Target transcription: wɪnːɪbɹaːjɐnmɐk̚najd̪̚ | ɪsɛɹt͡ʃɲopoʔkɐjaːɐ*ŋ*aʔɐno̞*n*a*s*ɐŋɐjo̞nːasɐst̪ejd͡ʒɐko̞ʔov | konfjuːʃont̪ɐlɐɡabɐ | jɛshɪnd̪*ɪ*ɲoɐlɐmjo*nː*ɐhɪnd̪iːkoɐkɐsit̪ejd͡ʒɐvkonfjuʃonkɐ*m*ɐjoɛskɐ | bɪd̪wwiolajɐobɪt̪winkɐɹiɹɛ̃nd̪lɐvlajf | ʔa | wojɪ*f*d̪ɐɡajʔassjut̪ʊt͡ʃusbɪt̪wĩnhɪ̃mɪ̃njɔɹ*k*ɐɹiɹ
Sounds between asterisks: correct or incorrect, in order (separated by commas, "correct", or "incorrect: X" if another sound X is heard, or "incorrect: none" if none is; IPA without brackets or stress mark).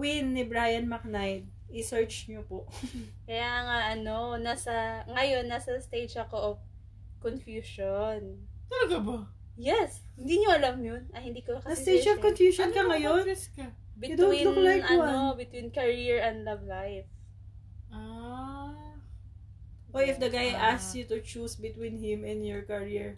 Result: correct, correct, correct, incorrect: i, incorrect: n, incorrect: ŋ, correct, correct